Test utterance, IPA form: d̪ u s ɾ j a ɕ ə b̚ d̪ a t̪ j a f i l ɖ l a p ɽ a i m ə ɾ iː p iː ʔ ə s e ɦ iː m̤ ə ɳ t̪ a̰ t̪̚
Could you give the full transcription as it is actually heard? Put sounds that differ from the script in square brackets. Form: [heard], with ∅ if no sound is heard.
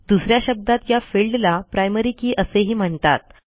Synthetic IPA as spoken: d̪ u s ɾ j a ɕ ə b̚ d̪ a t̪ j a f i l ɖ l a p [ɾ] a [j] m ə ɾ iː [k] iː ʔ ə s e ɦ iː m̤ ə ɳ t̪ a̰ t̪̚